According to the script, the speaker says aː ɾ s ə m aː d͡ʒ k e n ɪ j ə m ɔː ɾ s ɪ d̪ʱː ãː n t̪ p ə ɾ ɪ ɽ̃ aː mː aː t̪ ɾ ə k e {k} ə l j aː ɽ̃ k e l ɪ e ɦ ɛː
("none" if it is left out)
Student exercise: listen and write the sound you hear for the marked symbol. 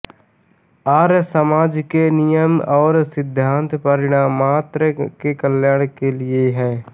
k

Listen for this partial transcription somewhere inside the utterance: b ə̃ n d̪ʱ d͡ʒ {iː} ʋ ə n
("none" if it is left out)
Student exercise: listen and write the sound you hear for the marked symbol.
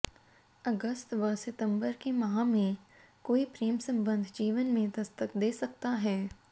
iː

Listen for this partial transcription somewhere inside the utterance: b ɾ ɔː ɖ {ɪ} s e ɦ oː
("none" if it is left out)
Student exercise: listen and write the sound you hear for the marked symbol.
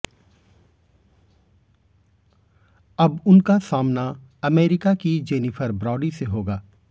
i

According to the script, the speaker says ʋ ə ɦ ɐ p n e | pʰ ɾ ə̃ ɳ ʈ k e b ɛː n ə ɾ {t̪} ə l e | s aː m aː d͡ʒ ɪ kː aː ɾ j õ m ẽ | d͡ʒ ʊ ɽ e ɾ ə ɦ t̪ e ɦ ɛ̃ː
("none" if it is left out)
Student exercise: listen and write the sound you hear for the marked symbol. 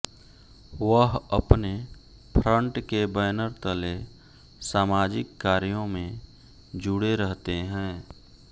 t̪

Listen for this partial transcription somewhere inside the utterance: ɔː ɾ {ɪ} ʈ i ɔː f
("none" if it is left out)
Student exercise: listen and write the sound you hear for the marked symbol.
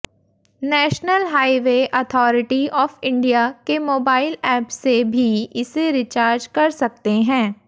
ɪ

